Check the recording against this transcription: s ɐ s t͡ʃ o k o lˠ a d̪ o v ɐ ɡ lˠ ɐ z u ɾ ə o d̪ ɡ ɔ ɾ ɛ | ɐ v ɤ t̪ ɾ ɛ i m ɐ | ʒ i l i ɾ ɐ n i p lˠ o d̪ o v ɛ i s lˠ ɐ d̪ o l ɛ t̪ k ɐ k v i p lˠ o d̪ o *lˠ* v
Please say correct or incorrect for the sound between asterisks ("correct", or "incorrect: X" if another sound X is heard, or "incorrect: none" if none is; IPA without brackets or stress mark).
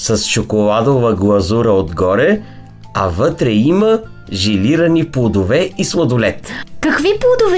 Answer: incorrect: none